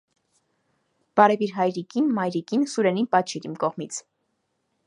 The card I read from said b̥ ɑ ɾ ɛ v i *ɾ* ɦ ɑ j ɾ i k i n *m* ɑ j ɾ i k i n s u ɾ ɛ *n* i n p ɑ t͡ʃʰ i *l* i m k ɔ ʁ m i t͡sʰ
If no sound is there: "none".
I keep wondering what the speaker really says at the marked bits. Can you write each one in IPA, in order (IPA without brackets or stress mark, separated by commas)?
ɾ, m, n, ɾ